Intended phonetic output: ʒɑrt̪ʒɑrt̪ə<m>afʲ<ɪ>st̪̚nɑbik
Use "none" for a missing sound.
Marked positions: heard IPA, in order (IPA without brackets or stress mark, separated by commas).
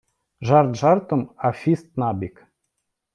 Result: m, i